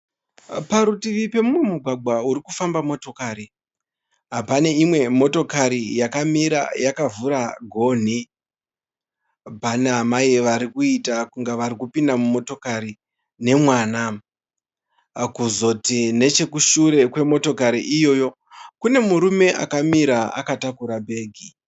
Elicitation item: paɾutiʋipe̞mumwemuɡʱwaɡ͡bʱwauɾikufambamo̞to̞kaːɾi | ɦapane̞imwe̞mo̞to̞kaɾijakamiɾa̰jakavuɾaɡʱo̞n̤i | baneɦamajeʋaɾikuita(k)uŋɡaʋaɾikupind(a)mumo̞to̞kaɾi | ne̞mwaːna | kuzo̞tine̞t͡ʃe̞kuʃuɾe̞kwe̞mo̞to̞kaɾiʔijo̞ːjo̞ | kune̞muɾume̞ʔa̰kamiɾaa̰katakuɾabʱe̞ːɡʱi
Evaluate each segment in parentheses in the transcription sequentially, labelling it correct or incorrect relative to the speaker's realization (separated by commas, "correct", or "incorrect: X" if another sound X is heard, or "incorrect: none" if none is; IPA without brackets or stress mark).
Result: correct, correct